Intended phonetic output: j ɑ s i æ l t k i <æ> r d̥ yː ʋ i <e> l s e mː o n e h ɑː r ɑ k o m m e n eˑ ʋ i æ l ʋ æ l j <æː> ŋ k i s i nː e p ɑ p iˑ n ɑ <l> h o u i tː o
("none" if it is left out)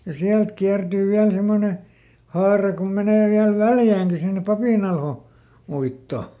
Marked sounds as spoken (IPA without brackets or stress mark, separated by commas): æ, æ, æː, l